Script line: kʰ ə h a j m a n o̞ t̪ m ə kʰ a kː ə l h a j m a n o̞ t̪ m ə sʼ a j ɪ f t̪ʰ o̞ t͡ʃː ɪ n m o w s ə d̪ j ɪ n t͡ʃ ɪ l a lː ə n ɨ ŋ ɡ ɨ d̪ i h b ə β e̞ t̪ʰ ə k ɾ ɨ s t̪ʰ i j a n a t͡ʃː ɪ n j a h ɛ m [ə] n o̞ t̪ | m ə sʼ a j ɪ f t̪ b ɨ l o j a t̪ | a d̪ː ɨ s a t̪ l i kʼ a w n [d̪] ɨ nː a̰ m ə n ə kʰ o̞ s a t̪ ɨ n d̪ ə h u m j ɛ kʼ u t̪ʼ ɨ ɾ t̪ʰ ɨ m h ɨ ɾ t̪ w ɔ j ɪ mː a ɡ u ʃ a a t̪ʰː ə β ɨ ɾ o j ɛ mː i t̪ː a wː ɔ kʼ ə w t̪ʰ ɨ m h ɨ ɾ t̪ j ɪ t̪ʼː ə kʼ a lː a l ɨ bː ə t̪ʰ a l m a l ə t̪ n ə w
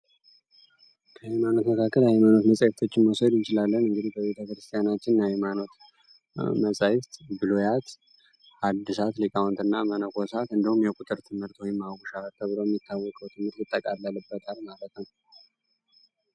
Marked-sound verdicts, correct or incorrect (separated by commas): incorrect, incorrect